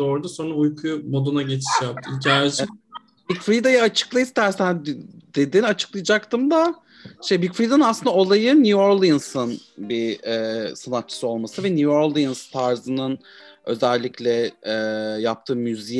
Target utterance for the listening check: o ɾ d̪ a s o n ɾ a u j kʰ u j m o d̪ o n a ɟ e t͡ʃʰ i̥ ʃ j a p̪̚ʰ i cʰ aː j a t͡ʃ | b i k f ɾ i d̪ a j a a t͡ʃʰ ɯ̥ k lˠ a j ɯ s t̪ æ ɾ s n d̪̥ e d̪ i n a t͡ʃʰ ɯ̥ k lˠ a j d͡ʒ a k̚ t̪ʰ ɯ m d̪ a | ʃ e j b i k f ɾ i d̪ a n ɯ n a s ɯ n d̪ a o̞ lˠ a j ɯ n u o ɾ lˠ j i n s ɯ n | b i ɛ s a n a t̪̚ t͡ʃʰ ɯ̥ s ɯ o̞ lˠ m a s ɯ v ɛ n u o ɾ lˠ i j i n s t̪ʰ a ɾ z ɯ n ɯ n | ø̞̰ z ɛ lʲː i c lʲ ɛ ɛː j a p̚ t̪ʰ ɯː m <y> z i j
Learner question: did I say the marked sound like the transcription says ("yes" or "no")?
yes